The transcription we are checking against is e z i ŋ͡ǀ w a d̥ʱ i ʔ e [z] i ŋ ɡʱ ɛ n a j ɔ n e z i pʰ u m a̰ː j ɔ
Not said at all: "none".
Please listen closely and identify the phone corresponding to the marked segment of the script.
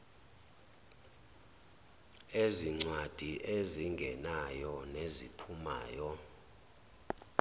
z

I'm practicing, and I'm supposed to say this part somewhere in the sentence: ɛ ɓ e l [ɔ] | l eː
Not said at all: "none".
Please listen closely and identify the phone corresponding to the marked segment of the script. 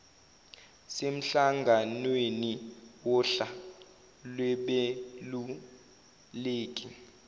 u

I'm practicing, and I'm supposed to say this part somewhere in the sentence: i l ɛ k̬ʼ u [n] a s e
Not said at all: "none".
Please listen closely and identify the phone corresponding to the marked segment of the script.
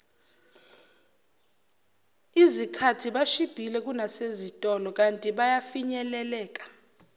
n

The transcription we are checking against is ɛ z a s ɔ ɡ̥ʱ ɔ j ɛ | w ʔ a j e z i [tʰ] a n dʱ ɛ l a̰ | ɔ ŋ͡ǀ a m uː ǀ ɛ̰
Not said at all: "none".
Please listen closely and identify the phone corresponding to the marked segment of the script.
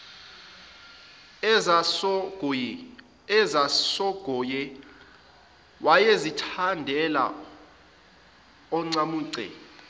tʰ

